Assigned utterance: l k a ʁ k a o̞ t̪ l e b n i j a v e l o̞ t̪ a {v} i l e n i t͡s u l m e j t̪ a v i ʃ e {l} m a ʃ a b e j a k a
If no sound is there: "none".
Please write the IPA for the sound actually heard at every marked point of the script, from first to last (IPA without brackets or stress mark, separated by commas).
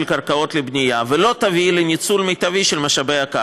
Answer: v, l